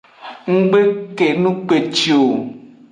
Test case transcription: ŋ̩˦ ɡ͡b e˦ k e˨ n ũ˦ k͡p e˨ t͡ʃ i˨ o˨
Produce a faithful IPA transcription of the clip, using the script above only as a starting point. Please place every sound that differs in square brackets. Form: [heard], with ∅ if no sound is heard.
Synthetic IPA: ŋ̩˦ ɡ͡b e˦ k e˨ n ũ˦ k͡p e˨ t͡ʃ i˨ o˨